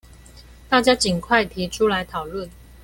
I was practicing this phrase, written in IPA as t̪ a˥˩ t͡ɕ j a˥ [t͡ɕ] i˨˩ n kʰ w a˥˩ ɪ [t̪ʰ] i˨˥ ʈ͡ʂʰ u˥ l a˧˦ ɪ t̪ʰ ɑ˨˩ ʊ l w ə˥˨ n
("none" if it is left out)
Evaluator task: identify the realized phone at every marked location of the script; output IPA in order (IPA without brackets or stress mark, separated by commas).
t͡ɕ, t̪ʰ